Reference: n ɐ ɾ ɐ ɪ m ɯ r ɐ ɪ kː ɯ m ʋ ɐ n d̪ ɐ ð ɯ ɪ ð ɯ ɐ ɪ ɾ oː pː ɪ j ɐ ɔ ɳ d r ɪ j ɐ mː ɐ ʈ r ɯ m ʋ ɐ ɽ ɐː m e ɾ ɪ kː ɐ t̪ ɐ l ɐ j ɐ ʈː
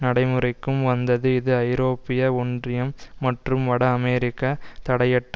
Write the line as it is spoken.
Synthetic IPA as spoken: n ɐ ɽ ɐ ɪ m ɯ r ɐ ɪ kː ɯ m ʋ ɐ n d̪ ɐ ð ɯ ɪ ð ɯ ɐ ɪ ɾ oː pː ɪ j ɐ ɔ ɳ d r ɪ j ɐ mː ɐ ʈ r ɯ m ʋ ɐ ɽ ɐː m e ɾ ɪ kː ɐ t̪ ɐ ɽ ɐ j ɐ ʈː

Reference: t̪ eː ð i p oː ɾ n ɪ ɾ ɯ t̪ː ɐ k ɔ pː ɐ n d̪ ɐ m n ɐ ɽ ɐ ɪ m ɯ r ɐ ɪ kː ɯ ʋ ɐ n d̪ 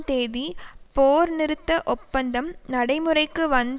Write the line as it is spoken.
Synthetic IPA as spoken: t̪ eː ð i p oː ɾ n ɪ ɾ ɯ t̪ː ɐ ʔ ɔ pː ɐ n d̪ ɐ m n ɐ ɽ ɐ ɪ m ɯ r ɐ ɪ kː ɯ ʋ ɐ n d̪

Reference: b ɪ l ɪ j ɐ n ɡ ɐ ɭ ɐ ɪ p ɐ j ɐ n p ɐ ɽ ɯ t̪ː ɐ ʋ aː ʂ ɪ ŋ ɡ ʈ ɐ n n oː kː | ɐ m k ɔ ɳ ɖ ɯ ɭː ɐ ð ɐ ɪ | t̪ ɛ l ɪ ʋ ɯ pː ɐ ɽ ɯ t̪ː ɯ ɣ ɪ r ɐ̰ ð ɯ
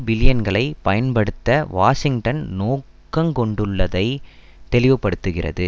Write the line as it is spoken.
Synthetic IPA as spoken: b ɪ l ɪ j ɐ n ɡ ɐ ɭ ɐ ɪ p ɐ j ɐ n p ɐ ɽ ɯ t̪ː ɐ ʋ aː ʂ ɪ ŋ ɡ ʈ ɐ n n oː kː | ɐ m k ɔ ɳ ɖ ɯ ɭː ɐ ð ɐ ɪ | t̪ ɛ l ɪ ʋ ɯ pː ɐ ɽ ɯ t̪ː ɯ ɣ ɪ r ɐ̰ ð ɯ

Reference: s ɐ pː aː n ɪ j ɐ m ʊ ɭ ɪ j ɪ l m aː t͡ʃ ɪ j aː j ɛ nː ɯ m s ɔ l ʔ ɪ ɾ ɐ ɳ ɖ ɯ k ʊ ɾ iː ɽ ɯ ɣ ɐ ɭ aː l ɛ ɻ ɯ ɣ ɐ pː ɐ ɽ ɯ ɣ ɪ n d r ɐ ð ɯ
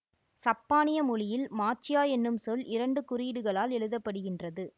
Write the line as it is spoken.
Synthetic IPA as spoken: s ɐ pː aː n ɪ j ɐ m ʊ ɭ ɪ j ɪ l m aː t͡ʃ ɪ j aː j ɛ nː ɯ m s ɔ l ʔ ɪ ɾ ɐ ɳ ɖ ɯ k ʊ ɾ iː ɽ ɯ ɣ ɐ ɭ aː l ɛ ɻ ɯ ð ɐ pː ɐ ɽ ɯ ɣ ɪ n d r ɐ ð ɯ

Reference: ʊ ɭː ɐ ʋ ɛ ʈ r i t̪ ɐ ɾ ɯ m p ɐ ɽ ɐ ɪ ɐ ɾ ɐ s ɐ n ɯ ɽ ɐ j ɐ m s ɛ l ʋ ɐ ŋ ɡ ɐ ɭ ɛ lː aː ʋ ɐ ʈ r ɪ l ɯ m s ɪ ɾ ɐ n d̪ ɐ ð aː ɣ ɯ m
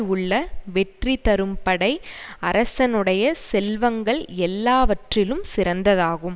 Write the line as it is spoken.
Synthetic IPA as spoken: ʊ ɭː ɐ ʋ ɛ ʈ r i t̪ ɐ ɾ ɯ m p ɐ ɽ ɐ ɪ ɐ ɾ ɐ s ɐ n ɯ ɽ ɐ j ɐ s ɛ l ʋ ɐ ŋ ɡ ɐ ɭ ɛ lː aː ʋ ɐ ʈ r ɪ l ɯ m s ɪ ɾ ɐ n d̪ ɐ ð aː ɣ ɯ m

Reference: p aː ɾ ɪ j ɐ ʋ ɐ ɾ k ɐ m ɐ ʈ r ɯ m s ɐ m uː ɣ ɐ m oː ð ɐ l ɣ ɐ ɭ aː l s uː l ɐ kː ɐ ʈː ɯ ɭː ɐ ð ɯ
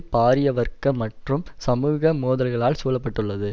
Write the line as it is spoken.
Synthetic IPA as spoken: p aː ɾ ɪ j ɐ ʋ ɐ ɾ k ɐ m ɐ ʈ r ɯ m s ɐ m uː ɣ ɐ m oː ð ɐ l ɣ ɐ ɭ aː l s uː l ɐ pː ɐ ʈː ɯ ɭː ɐ ð ɯ

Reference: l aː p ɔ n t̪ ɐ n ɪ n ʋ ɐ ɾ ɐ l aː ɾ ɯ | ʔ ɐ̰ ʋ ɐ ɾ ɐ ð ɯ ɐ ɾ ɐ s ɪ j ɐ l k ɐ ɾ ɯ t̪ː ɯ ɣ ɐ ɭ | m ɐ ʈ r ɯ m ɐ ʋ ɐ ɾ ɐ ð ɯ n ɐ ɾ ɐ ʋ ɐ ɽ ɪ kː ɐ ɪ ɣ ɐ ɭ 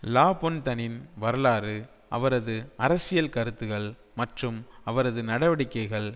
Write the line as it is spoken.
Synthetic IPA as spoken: l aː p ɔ n t̪ ɐ n ɪ n ʋ ɐ ɾ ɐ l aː ɾ ɯ | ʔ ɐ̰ ʋ ɐ ɾ ɐ ð ɯ ɐ ɾ ɐ s ɪ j ɐ l k ɐ ɾ ɯ t̪ː ɯ ɣ ɐ ɭ | m ɐ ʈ r ɯ m ɐ ʋ ɐ ɾ ɐ ð ɯ n ɐ ɽ ɐ ʋ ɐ ɽ ɪ kː ɐ ɪ ɣ ɐ ɭ

